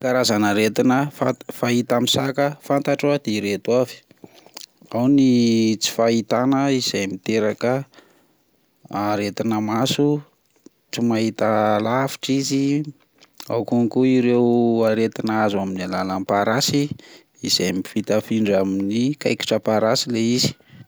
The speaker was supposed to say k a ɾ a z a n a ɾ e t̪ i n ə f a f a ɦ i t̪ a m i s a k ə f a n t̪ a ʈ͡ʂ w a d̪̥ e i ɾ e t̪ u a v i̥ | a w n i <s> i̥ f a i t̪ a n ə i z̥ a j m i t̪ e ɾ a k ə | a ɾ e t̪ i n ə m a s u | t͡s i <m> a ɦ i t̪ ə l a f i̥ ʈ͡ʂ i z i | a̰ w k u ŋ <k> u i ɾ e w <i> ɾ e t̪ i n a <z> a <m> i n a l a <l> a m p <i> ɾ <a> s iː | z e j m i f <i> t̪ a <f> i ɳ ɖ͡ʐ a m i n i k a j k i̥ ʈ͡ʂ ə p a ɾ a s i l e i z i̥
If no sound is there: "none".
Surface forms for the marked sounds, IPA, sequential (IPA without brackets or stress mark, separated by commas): t͡s, m, k, a, z, m, l, a, a, i, f